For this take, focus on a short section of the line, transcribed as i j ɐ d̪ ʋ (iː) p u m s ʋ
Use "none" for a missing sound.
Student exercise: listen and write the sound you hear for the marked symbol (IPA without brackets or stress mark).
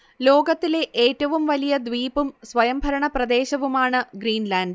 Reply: iː